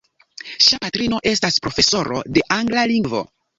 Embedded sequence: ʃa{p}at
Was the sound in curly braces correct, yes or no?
yes